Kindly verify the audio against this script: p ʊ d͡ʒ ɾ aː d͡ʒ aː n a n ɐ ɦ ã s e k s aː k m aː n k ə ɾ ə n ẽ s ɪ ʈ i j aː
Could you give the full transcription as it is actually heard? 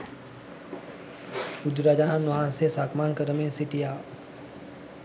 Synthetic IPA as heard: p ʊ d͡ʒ ɾ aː d͡ʒ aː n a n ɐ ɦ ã s e s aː k m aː n k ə ɾ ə m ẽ s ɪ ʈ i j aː